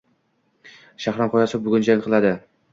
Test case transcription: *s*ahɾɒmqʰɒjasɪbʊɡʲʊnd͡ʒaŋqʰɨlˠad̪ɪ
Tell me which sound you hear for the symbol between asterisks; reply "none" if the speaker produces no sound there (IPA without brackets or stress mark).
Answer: ʃ